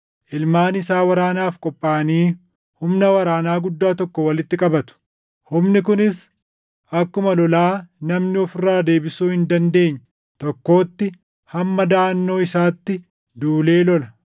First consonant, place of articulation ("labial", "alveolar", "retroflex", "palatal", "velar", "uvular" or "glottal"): glottal